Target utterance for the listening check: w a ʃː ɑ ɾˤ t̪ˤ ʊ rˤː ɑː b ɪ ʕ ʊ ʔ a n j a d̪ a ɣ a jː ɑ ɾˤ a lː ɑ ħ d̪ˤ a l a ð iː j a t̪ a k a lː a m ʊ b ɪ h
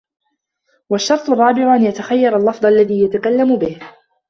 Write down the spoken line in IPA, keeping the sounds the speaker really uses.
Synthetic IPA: w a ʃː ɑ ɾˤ t̪ˤ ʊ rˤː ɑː b ɪ ʕ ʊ ʔ a n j a t̪ a x a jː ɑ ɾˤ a lː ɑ f d̪ˤ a lː a ð iː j a t̪ a k a lː a m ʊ b ɪ h